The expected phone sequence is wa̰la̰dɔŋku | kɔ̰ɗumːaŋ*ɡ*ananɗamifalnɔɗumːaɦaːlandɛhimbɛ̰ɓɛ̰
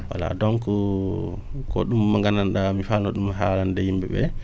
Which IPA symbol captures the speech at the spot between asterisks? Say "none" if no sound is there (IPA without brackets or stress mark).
ɡ